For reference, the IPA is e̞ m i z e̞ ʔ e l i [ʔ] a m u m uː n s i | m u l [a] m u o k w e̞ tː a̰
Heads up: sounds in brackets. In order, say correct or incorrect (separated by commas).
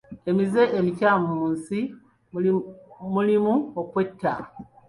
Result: incorrect, incorrect